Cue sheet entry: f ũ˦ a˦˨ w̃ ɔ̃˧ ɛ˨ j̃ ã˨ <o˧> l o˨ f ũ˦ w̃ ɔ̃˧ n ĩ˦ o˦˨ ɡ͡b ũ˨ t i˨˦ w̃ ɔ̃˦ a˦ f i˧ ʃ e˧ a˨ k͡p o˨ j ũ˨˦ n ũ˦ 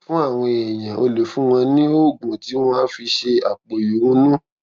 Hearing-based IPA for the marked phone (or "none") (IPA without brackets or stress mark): o˧